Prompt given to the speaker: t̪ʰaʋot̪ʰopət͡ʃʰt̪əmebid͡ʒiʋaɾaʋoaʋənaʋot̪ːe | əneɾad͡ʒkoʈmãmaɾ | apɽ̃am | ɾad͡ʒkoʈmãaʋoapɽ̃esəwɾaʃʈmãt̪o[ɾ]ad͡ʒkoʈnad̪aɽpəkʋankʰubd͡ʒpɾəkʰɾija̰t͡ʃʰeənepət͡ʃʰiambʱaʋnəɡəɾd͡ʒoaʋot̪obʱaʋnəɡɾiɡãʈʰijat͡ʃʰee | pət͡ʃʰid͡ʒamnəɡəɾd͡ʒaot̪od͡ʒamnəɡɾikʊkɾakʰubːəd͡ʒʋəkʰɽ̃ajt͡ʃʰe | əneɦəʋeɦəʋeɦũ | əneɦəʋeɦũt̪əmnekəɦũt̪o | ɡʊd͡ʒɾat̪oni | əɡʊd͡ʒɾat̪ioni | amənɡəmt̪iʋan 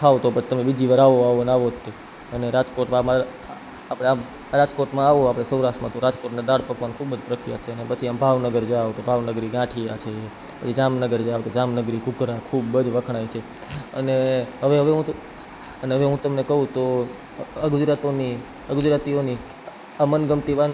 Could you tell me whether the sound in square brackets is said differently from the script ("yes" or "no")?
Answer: no